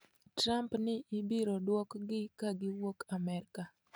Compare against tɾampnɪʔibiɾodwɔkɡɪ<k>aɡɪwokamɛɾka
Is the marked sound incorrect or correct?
correct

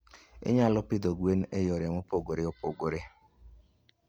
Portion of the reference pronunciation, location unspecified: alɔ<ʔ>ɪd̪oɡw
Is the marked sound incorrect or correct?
incorrect: p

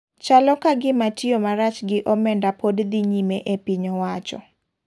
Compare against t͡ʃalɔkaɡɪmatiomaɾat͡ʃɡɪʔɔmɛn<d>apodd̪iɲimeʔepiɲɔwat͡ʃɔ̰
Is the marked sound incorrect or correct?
correct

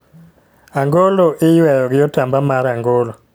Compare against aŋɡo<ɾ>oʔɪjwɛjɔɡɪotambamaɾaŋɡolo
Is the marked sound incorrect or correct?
incorrect: l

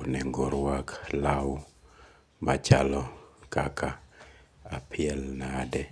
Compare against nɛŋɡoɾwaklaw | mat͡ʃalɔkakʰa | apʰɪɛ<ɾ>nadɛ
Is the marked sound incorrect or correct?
incorrect: l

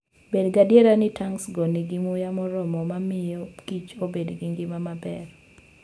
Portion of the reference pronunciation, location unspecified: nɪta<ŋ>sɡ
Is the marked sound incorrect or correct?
correct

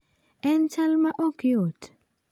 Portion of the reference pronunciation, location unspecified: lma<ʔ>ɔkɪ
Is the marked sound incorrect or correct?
correct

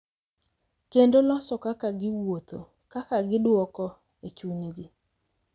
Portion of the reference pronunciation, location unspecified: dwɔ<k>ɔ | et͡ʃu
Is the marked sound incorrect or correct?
correct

